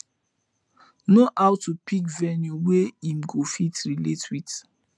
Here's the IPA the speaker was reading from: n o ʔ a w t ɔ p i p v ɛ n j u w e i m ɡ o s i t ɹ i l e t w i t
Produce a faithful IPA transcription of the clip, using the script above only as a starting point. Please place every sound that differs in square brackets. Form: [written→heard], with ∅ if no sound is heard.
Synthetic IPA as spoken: n o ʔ a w t [ɔ→u] p i [p→k] v ɛ n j u w e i m ɡ o [s→f] i t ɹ i l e t w i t